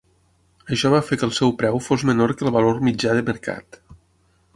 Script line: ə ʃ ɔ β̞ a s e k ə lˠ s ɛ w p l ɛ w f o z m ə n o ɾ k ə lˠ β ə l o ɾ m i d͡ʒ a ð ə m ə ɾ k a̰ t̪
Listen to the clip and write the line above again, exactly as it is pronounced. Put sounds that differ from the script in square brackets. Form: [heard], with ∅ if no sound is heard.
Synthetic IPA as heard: ə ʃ ɔ β̞ a [f] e k ə lˠ s ɛ w p [ɾ] ɛ w f o z m ə n o ɾ k ə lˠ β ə l o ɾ m i d͡ʒ a ð ə m ə ɾ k a̰ t̪